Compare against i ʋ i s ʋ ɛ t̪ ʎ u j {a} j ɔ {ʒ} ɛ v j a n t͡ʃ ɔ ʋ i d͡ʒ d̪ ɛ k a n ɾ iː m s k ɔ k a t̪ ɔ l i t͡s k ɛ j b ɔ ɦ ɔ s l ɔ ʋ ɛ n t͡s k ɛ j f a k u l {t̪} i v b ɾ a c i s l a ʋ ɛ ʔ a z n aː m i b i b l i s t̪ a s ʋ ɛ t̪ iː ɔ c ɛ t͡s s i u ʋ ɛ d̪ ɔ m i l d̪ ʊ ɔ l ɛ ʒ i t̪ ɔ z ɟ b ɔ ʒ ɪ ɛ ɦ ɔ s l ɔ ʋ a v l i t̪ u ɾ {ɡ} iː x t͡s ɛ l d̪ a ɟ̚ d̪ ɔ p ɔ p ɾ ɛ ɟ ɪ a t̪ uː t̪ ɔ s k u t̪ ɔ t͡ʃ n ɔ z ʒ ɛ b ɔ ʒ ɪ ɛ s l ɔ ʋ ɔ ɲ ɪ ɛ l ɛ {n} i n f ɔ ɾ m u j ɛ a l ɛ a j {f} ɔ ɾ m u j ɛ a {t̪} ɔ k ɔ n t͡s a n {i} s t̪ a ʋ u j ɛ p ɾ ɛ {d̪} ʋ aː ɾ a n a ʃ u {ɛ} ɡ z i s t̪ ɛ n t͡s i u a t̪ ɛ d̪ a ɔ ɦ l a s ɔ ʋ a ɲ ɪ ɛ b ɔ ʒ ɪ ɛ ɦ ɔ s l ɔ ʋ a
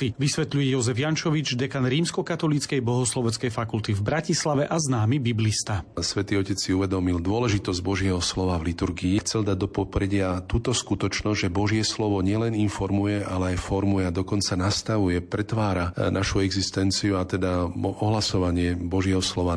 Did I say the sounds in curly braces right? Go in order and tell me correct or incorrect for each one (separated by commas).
incorrect, incorrect, correct, correct, correct, correct, incorrect, incorrect, incorrect, correct